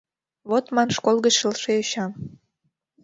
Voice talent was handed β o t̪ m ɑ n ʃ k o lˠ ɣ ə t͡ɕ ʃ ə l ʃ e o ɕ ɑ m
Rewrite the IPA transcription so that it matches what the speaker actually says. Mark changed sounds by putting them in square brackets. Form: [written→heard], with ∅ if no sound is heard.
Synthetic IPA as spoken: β o t̪ m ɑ n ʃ k o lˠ ɣ ə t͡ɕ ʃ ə l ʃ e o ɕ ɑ m